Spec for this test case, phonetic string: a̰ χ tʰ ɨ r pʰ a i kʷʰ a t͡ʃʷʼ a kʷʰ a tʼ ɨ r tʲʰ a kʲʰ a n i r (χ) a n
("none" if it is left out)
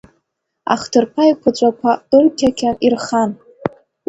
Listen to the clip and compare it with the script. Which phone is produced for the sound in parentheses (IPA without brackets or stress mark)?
χ